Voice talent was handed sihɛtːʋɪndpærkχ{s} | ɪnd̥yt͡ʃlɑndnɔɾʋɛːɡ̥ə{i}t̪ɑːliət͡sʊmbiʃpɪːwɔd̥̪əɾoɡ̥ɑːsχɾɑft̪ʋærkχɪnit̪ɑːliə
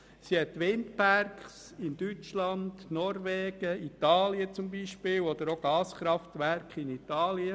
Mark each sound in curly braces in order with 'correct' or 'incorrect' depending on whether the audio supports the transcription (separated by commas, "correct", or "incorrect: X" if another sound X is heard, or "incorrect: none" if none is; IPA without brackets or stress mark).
correct, correct